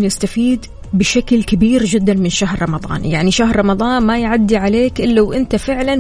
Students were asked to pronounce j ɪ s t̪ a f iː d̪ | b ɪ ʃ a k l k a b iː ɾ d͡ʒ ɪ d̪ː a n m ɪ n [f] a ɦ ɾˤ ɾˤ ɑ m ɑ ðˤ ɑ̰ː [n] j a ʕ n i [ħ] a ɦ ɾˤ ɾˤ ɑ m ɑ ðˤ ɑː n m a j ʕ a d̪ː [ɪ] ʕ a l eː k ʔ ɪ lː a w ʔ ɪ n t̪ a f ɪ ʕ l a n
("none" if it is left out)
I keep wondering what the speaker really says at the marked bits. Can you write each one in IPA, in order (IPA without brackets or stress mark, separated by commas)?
ʃ, n, ʃ, i